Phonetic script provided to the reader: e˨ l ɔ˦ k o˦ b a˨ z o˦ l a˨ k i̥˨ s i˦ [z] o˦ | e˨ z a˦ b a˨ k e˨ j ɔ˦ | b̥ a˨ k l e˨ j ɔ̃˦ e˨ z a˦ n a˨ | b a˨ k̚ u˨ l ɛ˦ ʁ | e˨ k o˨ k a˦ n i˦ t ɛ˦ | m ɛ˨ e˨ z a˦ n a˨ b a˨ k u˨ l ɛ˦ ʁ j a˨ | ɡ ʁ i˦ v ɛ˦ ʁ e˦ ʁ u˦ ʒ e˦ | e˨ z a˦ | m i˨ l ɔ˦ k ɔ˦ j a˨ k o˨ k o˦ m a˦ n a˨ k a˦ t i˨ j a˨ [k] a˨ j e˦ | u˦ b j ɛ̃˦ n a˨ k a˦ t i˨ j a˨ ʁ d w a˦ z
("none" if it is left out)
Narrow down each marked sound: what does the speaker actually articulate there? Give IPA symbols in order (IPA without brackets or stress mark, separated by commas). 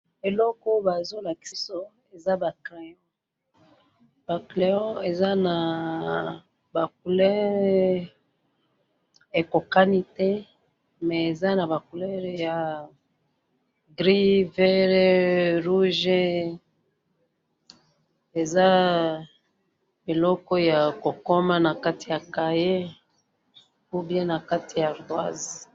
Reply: s, k